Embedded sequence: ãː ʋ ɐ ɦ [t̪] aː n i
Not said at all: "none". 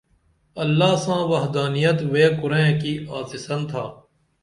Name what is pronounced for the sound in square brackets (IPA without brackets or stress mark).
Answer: d̪